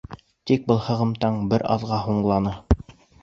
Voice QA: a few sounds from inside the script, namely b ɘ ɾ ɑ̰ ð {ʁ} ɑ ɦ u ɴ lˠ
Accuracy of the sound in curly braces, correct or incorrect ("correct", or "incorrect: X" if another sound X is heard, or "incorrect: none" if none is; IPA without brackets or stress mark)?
correct